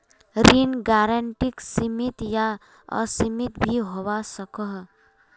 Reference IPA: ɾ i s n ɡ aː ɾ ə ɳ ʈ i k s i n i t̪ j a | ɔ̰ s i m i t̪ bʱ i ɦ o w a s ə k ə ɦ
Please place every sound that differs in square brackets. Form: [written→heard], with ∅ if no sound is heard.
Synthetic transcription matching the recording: ɾ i [s→∅] n ɡ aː ɾ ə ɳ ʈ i k s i [n→m] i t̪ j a | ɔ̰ s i m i t̪ bʱ i ɦ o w a s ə k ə ɦ